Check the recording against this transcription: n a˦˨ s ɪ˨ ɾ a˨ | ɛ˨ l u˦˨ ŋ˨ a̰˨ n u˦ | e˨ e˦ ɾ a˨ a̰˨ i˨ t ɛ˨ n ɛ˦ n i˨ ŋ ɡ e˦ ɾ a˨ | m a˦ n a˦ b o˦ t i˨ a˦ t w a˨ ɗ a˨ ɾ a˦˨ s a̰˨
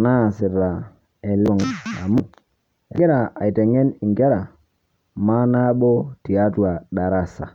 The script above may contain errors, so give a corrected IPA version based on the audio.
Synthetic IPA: n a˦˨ s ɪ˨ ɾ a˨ | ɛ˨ l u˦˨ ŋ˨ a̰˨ m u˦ | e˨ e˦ ɾ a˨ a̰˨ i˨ t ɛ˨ ŋ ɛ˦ n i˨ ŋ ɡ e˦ ɾ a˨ | m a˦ n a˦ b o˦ t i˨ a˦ t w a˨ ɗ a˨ ɾ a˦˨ s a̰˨